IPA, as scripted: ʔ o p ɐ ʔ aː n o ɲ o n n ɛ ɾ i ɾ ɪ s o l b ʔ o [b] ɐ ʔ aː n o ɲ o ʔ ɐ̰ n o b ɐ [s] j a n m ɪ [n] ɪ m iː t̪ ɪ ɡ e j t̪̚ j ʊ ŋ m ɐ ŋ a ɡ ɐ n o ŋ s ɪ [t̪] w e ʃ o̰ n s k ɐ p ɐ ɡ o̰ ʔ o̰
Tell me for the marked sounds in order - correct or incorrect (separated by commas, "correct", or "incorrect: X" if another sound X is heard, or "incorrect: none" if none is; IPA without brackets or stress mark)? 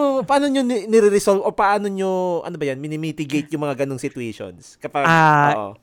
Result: incorrect: p, incorrect: none, correct, correct